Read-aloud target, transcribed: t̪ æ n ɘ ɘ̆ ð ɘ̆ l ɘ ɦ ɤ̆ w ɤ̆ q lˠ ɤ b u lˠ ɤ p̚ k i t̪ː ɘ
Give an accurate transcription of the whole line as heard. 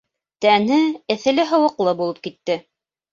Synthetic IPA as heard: t̪ æ n ɘ ɘ̆ θ ɘ̆ l ɘ ɦ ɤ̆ w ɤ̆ q lˠ ɤ b u lˠ ɤ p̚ k i t̪ː ɘ